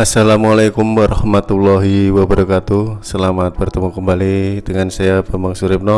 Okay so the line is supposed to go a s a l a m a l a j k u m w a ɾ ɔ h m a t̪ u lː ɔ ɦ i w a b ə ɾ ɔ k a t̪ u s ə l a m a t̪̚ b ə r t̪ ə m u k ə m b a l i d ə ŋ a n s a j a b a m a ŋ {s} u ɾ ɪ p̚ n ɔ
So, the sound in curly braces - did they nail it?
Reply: yes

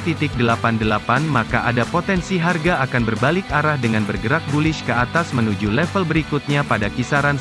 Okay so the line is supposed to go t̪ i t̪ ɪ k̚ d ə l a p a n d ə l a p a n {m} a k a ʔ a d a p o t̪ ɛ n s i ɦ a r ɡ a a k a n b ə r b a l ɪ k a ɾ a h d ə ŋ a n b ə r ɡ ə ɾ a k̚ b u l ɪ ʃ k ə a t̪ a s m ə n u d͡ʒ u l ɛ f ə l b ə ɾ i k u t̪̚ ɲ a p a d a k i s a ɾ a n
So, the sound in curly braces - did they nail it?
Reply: yes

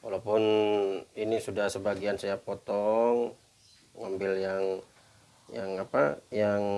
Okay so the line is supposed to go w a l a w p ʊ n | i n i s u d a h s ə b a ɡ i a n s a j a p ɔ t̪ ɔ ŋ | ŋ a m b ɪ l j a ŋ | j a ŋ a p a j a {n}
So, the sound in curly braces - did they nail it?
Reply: no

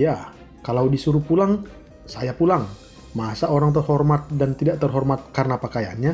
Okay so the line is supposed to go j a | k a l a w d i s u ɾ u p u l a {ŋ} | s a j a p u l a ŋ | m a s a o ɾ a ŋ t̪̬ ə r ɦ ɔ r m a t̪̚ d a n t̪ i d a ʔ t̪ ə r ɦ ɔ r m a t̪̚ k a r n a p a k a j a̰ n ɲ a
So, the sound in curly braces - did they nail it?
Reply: yes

